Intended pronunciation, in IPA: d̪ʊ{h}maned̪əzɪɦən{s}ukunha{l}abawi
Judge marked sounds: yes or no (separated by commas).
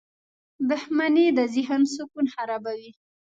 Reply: yes, yes, no